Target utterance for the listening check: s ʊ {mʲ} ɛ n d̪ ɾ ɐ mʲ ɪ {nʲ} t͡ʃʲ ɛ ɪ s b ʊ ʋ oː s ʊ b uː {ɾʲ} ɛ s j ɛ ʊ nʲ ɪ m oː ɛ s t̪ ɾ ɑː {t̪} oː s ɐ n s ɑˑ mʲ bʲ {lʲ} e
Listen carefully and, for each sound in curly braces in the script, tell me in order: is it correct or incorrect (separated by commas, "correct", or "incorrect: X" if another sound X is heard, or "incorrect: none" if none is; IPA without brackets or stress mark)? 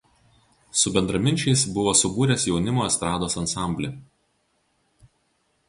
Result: incorrect: bʲ, correct, correct, incorrect: d̪, correct